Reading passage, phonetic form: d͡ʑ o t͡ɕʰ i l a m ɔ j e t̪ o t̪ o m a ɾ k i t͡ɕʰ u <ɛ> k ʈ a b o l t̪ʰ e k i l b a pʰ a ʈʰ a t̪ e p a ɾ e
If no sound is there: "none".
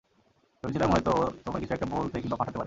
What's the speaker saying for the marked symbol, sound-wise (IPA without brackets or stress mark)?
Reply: ɛ